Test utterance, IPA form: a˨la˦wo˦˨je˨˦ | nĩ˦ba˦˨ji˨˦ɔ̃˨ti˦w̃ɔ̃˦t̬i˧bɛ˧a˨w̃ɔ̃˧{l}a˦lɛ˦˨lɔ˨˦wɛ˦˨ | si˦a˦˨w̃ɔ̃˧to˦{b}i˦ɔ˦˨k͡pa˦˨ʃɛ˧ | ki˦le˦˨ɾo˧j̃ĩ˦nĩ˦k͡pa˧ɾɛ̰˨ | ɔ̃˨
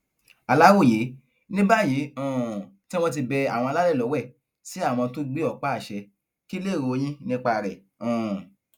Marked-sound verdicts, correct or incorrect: correct, incorrect

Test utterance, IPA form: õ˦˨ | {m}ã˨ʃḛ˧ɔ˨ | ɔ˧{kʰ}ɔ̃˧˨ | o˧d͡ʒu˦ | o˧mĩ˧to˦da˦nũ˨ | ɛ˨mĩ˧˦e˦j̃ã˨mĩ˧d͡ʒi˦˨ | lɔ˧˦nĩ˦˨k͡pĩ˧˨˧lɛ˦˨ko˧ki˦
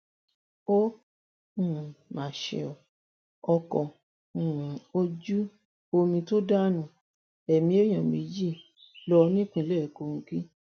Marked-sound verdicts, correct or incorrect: correct, incorrect

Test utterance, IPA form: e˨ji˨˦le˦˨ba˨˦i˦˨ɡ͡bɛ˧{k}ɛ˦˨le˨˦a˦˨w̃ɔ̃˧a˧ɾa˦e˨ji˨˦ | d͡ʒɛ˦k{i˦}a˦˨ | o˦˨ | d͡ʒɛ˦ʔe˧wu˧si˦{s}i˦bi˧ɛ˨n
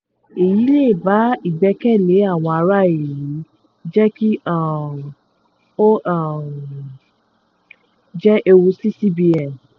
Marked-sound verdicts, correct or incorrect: correct, correct, correct

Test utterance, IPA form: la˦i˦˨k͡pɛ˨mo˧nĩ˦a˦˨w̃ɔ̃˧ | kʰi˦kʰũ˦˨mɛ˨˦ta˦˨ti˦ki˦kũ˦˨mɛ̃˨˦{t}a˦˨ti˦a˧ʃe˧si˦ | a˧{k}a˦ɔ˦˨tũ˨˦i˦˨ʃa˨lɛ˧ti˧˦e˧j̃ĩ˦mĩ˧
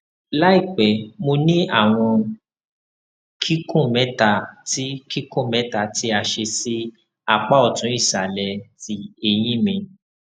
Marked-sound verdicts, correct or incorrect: correct, incorrect

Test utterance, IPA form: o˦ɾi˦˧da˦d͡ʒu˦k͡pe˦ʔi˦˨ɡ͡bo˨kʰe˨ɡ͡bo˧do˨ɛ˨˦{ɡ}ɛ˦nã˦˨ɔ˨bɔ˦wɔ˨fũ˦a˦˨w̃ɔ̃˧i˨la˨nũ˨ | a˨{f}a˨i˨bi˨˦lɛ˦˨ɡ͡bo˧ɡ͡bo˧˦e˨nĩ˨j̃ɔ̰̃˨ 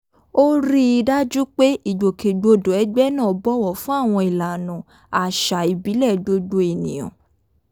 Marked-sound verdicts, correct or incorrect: incorrect, incorrect

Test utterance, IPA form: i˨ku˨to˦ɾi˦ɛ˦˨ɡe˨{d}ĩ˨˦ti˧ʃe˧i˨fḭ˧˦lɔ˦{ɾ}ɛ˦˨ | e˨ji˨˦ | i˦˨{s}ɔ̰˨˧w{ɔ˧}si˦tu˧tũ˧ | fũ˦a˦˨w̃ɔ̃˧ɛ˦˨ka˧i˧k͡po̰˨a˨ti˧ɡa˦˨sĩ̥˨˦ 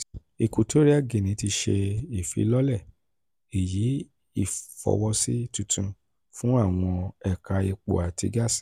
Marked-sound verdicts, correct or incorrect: incorrect, incorrect, incorrect, correct

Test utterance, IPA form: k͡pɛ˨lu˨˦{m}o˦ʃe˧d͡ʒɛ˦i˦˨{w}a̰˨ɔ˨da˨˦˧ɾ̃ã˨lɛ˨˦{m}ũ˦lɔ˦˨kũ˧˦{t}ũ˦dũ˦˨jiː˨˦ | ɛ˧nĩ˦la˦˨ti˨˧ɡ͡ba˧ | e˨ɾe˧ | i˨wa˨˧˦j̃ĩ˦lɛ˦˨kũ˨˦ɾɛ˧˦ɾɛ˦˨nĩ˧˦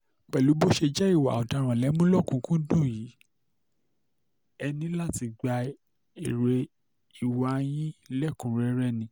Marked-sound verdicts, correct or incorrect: incorrect, correct, correct, incorrect

